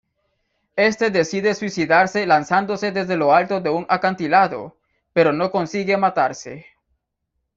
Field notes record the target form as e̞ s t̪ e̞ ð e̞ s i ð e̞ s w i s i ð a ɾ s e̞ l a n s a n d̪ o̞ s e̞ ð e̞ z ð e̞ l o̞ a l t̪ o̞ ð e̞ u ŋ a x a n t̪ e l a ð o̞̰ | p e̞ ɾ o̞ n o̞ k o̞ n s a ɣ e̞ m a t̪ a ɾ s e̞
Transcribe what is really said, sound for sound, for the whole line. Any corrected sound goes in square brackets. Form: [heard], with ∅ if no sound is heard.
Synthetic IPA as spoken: e̞ s t̪ e̞ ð e̞ s i ð e̞ s w i s i ð a ɾ s e̞ l a n s a n d̪ o̞ s e̞ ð e̞ z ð e̞ l o̞ a l t̪ o̞ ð e̞ u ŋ a [k] a n t̪ [i] l a ð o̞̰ | p e̞ ɾ o̞ n o̞ k o̞ n s [i] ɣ e̞ m a t̪ a ɾ s e̞